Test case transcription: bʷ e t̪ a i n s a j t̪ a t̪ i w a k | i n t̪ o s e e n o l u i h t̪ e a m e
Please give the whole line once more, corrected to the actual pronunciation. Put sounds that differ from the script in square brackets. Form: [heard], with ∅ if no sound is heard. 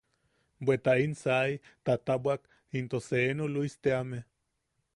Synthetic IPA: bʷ e t̪ a i n s a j t̪ a t̪ [a] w a k | i n t̪ o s e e n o l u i [s] t̪ e a m e

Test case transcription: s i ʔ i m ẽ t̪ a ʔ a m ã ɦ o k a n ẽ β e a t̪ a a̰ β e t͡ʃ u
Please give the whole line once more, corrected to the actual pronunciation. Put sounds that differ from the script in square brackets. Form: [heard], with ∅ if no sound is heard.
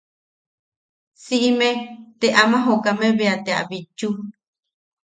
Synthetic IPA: s i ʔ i m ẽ t̪ [e] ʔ a m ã ɦ o k a [m] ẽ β e a t̪ [e] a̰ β [i] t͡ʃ u

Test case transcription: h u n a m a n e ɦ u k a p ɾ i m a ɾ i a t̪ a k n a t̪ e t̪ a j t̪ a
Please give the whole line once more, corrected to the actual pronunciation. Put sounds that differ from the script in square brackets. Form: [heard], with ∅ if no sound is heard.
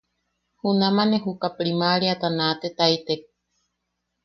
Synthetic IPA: h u n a m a n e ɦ u k a p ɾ i m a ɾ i a t̪ a [∅] n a t̪ e t̪ a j t̪ [e]

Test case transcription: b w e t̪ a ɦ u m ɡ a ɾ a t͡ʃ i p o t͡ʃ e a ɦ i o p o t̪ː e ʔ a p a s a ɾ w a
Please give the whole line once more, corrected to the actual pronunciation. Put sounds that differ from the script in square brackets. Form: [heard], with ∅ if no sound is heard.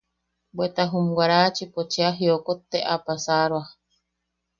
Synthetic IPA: b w e t̪ a ɦ u m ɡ a ɾ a t͡ʃ i p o t͡ʃ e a ɦ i o [k] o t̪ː e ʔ a p a s a ɾ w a

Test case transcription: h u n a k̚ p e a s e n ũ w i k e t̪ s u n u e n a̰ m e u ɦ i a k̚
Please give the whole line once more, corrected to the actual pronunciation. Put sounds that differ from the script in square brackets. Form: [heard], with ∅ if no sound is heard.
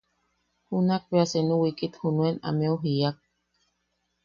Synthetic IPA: h u n a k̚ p e a s e n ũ w i k [i] t̪ [h] u n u e n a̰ m e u ɦ i a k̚

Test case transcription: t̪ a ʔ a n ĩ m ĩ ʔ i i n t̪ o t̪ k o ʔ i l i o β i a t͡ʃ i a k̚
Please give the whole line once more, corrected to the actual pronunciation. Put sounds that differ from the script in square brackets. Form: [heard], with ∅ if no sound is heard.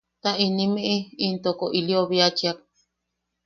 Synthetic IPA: t̪ a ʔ [i] n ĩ m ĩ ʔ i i n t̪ o [∅] k o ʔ i l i o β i a t͡ʃ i a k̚

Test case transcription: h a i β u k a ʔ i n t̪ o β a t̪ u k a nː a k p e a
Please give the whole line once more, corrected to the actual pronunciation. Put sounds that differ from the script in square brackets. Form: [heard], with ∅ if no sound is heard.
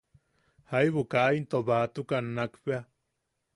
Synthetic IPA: h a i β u k a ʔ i n t̪ o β a t̪ u k a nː a k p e a

